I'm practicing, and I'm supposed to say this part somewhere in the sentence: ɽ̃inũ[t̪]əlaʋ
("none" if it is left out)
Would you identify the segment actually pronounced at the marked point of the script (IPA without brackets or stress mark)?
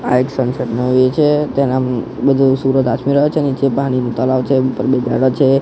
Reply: t̪